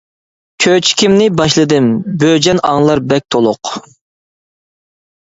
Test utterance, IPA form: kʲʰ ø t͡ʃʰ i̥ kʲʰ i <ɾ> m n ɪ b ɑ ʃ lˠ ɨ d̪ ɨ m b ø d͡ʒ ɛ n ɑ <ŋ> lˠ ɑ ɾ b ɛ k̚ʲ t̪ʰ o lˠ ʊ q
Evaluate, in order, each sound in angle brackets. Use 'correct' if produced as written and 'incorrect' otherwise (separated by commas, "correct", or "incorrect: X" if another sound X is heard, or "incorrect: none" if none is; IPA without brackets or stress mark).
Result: incorrect: none, correct